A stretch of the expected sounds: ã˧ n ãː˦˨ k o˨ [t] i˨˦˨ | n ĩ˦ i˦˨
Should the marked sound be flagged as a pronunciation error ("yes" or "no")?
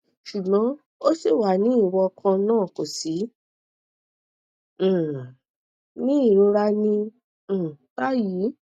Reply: yes